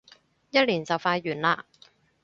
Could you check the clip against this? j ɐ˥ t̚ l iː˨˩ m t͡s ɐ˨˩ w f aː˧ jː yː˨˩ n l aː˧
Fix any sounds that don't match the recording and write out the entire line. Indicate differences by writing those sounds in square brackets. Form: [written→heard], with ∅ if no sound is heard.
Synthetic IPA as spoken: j ɐ˥ t̚ l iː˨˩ [m→n] t͡s ɐ˨˩ w f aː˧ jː yː˨˩ n l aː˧